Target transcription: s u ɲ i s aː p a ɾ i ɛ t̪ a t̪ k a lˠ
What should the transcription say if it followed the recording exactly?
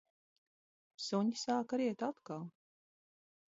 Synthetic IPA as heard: s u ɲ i s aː k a ɾ i ɛ t̪ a t̪ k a lˠ